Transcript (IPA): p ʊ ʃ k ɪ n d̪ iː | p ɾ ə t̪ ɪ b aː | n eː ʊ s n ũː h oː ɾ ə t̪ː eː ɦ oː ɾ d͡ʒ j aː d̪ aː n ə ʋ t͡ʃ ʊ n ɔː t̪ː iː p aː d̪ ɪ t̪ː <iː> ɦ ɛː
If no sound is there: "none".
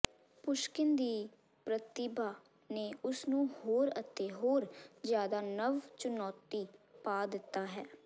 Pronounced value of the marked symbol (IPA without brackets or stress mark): aː